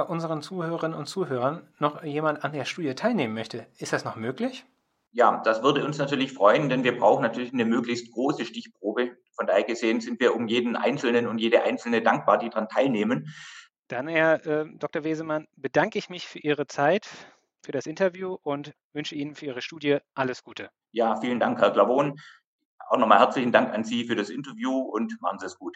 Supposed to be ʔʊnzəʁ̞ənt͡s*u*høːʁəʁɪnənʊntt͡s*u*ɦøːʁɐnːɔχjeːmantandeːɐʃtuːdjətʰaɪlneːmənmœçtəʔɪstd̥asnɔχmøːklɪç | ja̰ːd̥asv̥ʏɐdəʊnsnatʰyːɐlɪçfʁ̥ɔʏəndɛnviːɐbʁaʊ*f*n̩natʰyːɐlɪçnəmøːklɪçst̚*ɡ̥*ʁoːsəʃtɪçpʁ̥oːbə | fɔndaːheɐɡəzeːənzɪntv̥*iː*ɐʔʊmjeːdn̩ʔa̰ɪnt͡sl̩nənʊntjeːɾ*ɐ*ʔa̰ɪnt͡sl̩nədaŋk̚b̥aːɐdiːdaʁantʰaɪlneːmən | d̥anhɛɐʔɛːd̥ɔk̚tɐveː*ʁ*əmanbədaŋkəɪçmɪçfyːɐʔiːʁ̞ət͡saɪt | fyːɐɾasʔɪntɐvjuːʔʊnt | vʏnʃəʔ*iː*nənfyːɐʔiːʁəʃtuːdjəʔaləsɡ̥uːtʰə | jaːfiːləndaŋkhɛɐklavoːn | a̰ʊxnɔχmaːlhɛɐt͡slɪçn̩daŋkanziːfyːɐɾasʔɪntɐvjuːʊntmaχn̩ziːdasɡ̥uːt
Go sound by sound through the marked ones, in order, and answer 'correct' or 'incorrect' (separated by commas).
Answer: incorrect, incorrect, incorrect, correct, correct, incorrect, incorrect, correct